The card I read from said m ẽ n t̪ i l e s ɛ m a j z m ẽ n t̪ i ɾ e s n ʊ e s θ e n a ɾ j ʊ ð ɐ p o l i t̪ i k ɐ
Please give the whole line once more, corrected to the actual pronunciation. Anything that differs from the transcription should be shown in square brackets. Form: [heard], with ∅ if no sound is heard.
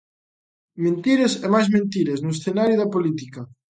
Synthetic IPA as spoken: m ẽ n t̪ i [ɾ] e s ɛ m a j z m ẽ n t̪ i ɾ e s n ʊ e s θ e n a ɾ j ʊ ð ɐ p o l i t̪ i k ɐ